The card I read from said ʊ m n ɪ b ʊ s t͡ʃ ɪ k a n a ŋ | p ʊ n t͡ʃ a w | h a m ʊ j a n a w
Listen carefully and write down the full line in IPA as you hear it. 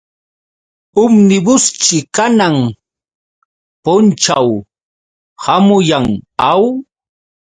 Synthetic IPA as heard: ʊ m n ɪ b ʊ s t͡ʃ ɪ k a n a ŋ | p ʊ n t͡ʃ a w | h a m ʊ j a ŋ a w